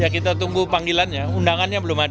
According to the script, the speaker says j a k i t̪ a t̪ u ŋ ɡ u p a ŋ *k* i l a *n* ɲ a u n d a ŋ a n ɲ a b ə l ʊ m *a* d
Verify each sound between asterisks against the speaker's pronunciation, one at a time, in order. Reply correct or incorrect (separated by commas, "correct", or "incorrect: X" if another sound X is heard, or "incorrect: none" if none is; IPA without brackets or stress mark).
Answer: incorrect: ɡ, correct, correct